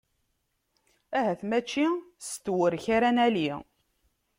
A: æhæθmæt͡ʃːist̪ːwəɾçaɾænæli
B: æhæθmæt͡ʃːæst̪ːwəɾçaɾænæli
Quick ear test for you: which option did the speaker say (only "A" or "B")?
A